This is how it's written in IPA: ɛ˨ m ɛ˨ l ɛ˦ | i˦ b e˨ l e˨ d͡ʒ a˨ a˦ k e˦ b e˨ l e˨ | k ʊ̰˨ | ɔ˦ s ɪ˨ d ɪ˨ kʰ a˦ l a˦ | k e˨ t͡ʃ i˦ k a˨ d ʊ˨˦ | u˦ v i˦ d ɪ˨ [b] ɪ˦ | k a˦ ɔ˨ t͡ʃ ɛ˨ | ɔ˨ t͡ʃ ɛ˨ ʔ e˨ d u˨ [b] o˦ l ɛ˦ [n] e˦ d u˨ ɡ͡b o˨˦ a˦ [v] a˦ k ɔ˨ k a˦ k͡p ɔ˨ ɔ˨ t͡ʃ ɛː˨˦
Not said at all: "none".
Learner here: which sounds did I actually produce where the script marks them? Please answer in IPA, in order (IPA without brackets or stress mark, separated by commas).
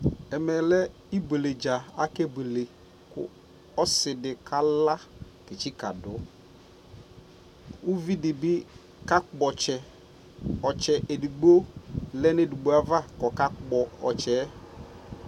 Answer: b, ɡ͡b, n, v